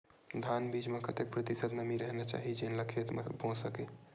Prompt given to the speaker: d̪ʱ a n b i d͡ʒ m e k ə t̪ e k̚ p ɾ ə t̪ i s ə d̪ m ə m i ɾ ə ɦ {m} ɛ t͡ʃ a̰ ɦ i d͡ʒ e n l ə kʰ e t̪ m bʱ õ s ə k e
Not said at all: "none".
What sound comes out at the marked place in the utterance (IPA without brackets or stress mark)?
n